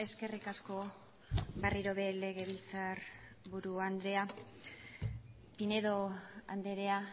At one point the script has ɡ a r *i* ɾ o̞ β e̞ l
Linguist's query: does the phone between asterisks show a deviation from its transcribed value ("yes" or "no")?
no